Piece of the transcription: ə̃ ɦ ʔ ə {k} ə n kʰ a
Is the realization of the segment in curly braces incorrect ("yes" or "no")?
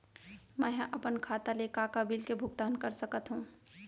yes